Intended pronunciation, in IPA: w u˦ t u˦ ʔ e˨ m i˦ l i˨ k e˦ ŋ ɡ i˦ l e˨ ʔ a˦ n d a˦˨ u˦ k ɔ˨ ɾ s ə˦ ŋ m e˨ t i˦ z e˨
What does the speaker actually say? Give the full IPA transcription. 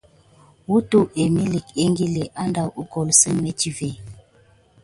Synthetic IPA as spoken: w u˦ t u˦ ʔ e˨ m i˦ l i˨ k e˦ ŋ ɡ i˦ l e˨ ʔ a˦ n d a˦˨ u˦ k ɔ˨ l s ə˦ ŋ m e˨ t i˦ v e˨